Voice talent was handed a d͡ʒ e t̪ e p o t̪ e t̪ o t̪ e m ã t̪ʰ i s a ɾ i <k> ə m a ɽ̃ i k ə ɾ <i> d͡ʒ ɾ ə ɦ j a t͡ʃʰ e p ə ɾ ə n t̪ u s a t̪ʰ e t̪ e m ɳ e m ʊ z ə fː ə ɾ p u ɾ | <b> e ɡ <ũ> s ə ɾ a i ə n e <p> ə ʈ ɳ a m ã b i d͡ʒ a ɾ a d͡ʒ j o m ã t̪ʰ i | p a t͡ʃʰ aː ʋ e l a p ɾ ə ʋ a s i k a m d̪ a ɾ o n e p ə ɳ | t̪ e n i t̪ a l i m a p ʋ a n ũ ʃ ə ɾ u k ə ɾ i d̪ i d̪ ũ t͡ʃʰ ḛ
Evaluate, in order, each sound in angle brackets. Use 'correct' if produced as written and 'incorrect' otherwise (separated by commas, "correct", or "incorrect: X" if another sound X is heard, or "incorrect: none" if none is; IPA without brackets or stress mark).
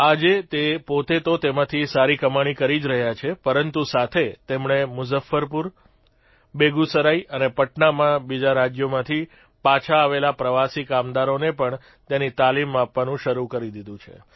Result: correct, correct, correct, incorrect: u, correct